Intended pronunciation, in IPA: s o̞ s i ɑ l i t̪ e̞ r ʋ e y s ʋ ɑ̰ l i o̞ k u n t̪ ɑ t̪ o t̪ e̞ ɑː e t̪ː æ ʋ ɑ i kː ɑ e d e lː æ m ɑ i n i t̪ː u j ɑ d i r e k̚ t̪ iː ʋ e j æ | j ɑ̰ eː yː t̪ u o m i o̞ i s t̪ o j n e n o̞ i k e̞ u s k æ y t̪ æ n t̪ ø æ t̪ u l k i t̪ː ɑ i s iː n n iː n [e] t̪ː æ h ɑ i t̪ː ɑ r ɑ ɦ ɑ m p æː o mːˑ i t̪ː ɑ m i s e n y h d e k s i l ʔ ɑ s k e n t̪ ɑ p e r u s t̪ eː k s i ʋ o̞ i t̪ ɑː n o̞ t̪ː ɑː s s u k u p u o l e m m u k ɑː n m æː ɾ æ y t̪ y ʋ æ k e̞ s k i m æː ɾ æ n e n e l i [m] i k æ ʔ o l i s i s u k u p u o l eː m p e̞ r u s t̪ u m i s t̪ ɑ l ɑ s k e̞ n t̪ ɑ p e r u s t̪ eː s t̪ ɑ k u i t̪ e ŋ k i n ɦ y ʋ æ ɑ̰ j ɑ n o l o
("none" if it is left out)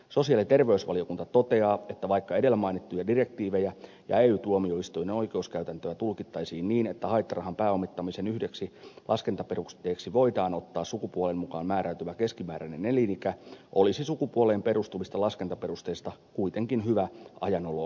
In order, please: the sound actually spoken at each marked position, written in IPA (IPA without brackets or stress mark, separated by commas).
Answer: e, n